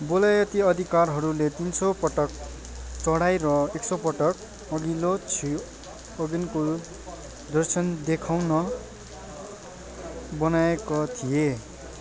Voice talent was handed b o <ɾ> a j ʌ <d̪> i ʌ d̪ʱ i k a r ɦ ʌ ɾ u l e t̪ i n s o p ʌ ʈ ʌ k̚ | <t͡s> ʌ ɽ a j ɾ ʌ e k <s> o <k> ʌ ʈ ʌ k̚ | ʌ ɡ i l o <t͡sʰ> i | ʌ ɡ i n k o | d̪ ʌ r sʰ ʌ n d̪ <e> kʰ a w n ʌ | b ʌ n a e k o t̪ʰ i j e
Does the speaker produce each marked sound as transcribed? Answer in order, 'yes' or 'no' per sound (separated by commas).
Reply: no, no, yes, yes, no, yes, yes